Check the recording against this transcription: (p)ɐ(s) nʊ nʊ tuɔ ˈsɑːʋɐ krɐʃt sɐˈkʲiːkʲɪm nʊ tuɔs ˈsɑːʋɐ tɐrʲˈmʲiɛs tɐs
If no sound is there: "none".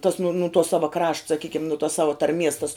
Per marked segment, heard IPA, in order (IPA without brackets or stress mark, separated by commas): t, s